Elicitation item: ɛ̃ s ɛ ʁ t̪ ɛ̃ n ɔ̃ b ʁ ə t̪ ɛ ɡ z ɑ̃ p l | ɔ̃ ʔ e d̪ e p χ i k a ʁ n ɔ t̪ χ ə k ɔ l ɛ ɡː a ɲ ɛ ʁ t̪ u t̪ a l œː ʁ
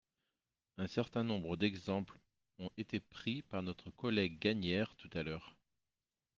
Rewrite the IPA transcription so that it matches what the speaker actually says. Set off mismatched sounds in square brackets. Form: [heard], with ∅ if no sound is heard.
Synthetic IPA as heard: ɛ̃ s ɛ ʁ t̪ ɛ̃ n ɔ̃ b ʁ ə [d̪] ɛ ɡ z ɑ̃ p l | ɔ̃ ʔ e [t̪] e p χ i [p] a ʁ n ɔ t̪ χ ə k ɔ l ɛ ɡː a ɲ ɛ ʁ t̪ u t̪ a l œː ʁ

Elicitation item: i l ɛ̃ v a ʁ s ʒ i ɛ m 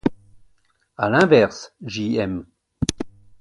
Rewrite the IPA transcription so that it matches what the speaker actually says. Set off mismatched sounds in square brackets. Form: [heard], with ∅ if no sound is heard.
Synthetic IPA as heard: [a] l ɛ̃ v [ɛ] ʁ s ʒ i ɛ m

